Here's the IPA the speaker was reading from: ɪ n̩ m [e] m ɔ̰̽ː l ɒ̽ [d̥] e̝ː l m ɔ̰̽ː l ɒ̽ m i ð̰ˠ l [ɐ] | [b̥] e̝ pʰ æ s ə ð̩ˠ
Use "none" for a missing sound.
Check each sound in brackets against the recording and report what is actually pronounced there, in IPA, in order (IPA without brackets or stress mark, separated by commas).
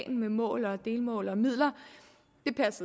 e, d̥, ɐ, d̥